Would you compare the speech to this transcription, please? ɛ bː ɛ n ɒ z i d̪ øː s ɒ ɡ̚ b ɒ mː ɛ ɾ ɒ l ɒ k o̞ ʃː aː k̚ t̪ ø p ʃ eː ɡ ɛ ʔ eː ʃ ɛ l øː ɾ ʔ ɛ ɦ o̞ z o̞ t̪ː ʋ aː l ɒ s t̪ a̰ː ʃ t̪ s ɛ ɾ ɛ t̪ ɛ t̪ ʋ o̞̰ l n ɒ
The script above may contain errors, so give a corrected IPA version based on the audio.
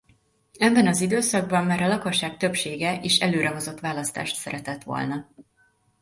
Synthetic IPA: ɛ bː ɛ n ɒ z i d̪ øː s ɒ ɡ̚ b ɒ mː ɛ ɾ ɒ l ɒ k o̞ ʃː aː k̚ t̪ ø p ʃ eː ɡ ɛ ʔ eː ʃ ɛ l øː ɾ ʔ ɛ ɦ o̞ z o̞ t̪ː ʋ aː l ɒ s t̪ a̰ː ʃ t̪ s ɛ ɾ ɛ t̪ ɛ t̪ ʋ o̞̰ l n ɒ

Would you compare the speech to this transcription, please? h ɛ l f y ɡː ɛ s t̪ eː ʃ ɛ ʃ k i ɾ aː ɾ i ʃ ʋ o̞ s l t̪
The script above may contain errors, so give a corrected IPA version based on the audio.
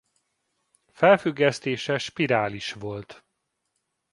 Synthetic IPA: f ɛ l f y ɡː ɛ s t̪ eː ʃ ɛ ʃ p i ɾ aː l i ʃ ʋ o̞ l t̪

